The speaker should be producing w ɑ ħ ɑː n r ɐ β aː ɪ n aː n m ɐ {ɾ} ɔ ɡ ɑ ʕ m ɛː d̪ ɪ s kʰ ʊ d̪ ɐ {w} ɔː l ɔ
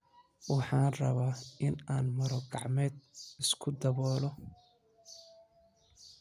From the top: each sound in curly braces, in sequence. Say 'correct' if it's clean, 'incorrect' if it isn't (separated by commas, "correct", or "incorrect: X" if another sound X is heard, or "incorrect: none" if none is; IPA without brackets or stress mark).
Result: correct, incorrect: β